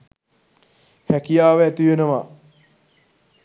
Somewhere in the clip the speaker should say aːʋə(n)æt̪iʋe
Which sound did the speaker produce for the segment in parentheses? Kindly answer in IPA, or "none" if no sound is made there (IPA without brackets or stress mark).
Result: none